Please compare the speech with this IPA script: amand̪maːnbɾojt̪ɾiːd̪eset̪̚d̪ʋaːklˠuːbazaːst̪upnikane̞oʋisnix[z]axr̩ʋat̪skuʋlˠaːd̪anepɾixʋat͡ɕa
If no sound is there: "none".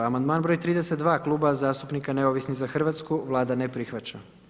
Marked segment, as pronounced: z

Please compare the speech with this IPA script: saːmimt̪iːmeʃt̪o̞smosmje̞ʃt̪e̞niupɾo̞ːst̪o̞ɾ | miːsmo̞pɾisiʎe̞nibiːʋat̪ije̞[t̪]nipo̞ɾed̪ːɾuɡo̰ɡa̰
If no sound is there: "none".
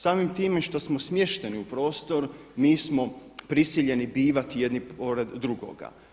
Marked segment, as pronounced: d̪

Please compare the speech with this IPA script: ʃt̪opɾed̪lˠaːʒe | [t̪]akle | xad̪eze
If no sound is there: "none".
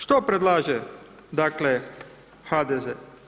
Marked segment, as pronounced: d̪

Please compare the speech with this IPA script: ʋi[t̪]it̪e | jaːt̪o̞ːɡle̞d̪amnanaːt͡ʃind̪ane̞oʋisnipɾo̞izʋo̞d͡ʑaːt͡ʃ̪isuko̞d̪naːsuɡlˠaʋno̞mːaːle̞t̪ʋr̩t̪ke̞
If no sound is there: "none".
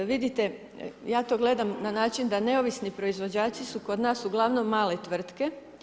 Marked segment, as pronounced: d̪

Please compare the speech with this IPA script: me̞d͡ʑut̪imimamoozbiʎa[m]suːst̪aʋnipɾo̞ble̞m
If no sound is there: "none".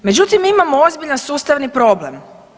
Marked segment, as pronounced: n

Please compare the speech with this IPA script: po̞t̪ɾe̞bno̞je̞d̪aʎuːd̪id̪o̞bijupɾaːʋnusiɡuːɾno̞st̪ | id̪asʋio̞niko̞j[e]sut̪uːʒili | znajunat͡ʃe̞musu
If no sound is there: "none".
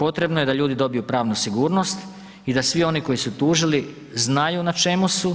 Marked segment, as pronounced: i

